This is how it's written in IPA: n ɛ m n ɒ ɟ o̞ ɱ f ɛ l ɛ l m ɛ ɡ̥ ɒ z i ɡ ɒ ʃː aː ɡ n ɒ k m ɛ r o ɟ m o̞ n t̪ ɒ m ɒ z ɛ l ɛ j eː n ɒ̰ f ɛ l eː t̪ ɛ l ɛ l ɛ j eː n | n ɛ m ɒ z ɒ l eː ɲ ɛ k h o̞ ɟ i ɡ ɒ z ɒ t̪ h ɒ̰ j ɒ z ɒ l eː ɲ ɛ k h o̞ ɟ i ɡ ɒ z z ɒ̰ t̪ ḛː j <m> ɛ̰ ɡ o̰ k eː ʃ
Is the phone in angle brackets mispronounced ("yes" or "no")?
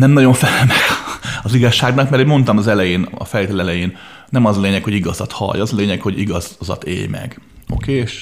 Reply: no